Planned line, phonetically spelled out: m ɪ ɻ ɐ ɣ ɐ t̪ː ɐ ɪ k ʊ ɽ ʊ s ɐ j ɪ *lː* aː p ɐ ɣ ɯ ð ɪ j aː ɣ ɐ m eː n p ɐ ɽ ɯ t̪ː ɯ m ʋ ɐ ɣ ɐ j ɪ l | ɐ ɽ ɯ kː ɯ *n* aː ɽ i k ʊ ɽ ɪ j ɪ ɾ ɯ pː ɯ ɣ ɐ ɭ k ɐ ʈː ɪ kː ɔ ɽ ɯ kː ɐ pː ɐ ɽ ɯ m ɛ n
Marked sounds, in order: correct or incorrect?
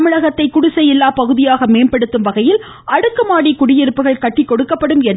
correct, incorrect: m

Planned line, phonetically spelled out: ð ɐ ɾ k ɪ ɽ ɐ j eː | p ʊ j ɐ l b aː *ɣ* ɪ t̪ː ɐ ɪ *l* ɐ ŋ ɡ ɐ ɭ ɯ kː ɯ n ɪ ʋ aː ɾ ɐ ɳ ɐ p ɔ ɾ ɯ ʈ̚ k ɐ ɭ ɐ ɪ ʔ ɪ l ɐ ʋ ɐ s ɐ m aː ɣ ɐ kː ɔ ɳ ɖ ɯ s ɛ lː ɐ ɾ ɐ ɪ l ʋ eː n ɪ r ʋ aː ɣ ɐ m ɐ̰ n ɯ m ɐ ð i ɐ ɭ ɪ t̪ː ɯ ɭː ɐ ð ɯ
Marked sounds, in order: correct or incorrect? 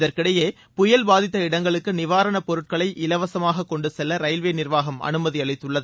incorrect: ð, incorrect: ɽ

